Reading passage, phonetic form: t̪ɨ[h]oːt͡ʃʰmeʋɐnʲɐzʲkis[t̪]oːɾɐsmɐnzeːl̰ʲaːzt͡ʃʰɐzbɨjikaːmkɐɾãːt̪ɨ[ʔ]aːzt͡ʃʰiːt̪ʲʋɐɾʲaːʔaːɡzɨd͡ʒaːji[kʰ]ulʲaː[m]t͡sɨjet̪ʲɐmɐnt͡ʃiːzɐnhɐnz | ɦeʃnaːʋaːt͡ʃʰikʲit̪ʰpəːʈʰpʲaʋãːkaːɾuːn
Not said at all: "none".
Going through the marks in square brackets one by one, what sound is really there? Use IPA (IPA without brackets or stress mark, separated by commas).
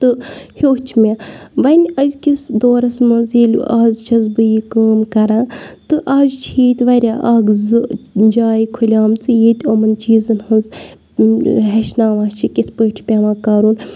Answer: h, d̪, ʔ, kʰ, m